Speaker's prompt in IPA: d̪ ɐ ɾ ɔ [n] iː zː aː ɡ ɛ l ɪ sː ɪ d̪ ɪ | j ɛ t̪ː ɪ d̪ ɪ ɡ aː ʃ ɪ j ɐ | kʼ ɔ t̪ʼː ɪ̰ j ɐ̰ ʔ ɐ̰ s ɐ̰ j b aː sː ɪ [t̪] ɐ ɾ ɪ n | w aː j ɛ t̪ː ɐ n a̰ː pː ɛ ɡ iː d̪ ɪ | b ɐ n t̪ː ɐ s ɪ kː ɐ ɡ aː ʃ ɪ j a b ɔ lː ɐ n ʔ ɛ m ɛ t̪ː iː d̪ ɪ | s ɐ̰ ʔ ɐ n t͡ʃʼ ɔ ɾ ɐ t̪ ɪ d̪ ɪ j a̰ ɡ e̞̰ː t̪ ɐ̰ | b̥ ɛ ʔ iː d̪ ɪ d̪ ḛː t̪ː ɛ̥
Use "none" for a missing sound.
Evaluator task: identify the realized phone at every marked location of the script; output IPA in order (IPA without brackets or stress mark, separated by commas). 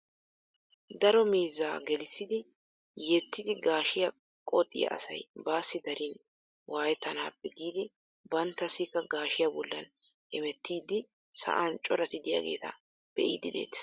m, d̪